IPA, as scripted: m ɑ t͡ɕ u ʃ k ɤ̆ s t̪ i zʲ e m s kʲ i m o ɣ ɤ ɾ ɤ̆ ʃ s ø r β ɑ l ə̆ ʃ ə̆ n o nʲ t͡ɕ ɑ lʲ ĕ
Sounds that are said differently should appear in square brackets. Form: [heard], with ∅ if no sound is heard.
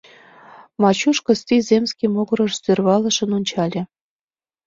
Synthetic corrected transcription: m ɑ t͡ɕ u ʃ k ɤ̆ s t̪ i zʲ e m s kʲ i m o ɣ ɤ ɾ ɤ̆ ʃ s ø r β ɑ l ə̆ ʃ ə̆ n o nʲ t͡ɕ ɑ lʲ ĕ